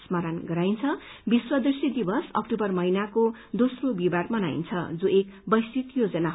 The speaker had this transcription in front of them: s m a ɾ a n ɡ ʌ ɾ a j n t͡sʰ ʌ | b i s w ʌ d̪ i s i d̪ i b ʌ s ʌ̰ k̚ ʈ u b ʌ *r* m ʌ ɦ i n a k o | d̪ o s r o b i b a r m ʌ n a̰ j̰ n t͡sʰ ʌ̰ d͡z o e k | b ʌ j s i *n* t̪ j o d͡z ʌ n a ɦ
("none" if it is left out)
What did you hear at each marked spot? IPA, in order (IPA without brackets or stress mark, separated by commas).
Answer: r, none